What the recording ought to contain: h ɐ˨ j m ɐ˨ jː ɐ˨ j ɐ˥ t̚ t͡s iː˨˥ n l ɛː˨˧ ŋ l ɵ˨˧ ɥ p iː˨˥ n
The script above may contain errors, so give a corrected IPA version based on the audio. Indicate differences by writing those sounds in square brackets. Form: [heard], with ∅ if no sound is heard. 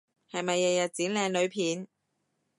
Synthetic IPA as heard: h ɐ˨ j m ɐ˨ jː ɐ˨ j [ɐ˨] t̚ t͡s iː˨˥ n l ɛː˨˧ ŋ l ɵ˨˧ ɥ [pʰ] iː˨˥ n

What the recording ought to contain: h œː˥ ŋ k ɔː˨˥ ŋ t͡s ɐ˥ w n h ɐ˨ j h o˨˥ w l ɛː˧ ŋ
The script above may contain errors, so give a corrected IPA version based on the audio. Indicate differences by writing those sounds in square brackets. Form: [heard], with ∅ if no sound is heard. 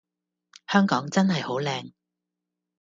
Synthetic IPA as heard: h œː˥ ŋ k ɔː˨˥ ŋ t͡s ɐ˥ [∅] n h ɐ˨ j h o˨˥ w l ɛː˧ ŋ

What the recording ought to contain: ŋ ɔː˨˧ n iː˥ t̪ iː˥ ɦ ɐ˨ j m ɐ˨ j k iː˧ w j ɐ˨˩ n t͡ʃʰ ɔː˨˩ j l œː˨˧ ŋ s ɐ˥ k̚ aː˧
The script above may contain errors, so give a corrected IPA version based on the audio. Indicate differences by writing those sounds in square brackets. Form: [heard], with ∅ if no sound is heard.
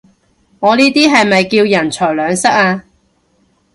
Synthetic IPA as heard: ŋ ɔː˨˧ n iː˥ t̪ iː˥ ɦ ɐ˨ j m ɐ˨ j k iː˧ w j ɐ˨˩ n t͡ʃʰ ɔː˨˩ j l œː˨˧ ŋ s ɐ˥ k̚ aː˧

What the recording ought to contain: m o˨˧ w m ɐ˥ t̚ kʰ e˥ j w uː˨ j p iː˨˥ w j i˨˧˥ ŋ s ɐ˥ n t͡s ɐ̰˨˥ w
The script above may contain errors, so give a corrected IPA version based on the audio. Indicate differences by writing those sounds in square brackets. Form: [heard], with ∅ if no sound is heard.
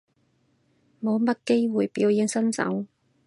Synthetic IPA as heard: m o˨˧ w m ɐ˥ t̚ [k] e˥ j w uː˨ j p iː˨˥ w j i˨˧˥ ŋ s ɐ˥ n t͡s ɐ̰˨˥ w

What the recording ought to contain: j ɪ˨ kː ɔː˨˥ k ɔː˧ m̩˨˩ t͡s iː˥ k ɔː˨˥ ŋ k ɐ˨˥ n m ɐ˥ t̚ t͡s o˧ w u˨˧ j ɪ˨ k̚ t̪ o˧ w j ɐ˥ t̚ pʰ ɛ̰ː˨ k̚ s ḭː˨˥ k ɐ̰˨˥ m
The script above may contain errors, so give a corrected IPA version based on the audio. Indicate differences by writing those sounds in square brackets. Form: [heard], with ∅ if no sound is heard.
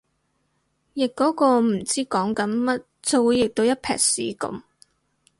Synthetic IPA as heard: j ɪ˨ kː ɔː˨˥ k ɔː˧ m̩˨˩ t͡s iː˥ k ɔː˨˥ ŋ k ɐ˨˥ n m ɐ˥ t̚ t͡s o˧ w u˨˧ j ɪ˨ k̚ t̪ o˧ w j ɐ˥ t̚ pʰ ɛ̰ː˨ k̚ s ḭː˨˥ k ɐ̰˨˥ m

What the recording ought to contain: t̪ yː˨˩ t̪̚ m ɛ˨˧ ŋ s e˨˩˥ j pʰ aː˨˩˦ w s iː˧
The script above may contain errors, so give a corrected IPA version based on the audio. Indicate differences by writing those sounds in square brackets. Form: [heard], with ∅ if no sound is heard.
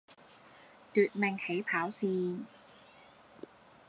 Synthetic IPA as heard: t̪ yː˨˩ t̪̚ m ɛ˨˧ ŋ [h] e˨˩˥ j pʰ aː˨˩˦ w s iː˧

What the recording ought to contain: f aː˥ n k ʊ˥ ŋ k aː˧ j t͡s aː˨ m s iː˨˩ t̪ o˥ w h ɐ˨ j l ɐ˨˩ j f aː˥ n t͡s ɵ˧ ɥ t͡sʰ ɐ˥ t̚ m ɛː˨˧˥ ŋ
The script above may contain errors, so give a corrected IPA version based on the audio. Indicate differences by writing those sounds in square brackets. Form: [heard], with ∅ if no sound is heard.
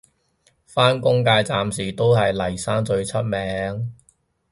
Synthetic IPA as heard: f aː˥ n k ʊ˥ ŋ k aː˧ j t͡s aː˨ m s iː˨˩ t̪ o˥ w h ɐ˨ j l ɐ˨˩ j [s] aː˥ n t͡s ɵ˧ ɥ t͡sʰ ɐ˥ t̚ m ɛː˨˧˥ ŋ

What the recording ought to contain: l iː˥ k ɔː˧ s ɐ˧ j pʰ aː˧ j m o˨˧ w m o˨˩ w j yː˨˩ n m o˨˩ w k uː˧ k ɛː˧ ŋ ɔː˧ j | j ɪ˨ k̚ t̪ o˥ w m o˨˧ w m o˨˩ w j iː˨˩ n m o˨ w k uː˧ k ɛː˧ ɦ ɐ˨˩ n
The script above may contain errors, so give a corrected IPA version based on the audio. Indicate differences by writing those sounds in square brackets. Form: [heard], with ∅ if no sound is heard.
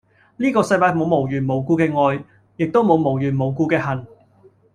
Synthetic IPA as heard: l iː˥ k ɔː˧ s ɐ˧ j [p] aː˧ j m o˨˧ w m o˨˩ w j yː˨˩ n m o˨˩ w k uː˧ k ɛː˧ ŋ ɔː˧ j | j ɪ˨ k̚ t̪ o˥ w m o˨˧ w m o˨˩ w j [yː˨˩] n m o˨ w k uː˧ k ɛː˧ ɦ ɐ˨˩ n

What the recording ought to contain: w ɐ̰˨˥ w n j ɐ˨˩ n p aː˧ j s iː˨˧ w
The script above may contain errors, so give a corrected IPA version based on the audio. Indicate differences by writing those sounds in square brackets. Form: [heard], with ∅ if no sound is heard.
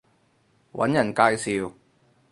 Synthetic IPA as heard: w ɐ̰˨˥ [∅] n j ɐ˨˩ n [k] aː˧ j s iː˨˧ w

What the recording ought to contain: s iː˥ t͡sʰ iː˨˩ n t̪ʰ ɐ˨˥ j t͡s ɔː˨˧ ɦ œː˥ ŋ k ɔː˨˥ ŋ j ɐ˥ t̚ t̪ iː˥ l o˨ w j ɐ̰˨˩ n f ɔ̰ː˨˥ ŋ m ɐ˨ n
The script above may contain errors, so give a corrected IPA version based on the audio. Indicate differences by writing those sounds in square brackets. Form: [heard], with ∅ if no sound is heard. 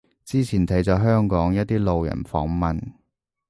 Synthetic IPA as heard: [t͡s] iː˥ t͡sʰ iː˨˩ n t̪ʰ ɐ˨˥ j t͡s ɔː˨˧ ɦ œː˥ ŋ k ɔː˨˥ ŋ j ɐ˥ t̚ t̪ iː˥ l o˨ w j ɐ̰˨˩ n f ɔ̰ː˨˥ ŋ m ɐ˨ n

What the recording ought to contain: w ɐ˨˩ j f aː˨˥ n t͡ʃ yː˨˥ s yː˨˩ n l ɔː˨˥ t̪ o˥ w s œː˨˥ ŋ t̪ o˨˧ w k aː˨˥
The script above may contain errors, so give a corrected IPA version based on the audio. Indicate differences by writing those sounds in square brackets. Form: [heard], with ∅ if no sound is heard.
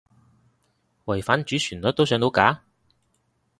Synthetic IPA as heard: w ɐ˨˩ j f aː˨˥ n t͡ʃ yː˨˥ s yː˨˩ n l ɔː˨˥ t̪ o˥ w s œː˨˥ ŋ t̪ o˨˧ w k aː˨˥

